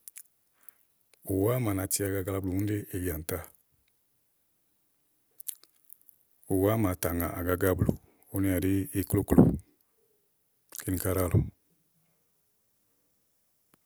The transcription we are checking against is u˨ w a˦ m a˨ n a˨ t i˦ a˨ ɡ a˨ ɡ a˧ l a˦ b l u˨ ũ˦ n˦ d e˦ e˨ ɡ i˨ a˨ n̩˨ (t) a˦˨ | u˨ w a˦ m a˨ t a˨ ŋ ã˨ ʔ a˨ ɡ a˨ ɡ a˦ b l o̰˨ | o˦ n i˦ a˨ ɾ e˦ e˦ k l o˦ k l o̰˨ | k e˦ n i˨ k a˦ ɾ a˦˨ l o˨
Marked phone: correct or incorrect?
correct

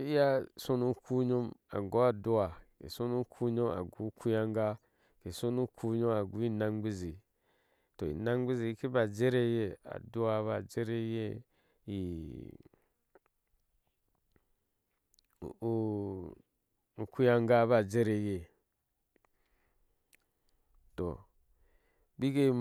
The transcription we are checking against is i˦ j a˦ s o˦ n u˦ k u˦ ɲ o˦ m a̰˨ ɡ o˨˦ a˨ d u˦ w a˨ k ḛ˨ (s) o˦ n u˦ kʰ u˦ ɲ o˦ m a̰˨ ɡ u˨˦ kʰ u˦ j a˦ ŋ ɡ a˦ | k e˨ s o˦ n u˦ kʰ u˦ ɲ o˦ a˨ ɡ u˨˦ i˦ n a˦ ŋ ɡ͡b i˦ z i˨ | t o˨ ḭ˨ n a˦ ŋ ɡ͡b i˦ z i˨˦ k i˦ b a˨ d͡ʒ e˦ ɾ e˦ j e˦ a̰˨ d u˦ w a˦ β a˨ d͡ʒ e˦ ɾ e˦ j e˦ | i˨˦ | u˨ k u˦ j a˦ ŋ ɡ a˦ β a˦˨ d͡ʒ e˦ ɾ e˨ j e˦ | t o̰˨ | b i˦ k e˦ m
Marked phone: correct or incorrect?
correct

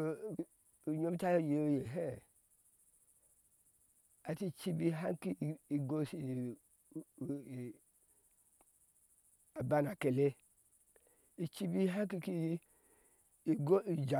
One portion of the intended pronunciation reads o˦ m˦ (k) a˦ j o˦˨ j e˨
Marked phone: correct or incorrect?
incorrect: t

